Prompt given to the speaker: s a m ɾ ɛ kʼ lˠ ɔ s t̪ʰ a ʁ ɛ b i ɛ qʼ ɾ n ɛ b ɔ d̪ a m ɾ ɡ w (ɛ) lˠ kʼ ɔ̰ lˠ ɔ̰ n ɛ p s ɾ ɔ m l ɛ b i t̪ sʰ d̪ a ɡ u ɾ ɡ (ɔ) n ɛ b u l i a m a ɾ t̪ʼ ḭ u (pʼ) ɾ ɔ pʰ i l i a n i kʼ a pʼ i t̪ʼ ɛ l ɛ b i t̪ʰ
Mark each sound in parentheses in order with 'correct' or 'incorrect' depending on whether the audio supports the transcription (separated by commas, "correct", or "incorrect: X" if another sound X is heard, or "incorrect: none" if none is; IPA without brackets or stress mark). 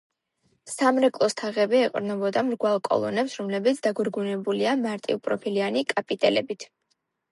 incorrect: a, incorrect: u, correct